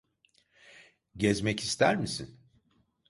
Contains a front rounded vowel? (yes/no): no